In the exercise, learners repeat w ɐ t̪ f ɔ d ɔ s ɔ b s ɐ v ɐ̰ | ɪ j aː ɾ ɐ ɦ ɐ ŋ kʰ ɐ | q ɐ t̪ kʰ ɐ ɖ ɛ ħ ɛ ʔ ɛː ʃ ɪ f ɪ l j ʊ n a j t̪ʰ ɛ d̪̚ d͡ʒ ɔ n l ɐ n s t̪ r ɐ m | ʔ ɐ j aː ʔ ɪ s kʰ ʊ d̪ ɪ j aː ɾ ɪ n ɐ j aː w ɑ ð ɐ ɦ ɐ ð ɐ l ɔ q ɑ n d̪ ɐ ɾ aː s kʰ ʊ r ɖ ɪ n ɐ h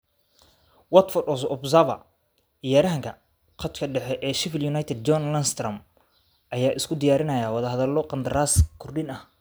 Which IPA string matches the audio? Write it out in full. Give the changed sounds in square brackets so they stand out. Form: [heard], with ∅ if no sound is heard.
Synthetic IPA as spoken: w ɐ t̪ f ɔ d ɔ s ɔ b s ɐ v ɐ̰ | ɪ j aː ɾ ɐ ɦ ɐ ŋ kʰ ɐ | q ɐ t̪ kʰ ɐ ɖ ɛ ħ ɛ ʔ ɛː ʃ ɪ f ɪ l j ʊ n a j t̪ʰ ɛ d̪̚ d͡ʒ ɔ n l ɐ n s t̪ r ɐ m | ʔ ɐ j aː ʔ ɪ s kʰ ʊ d̪ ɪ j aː ɾ ɪ n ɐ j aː w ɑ ð ɐ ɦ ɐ ð ɐ l ɔ q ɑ n d̪ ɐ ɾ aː s kʰ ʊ r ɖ ɪ n ɐ h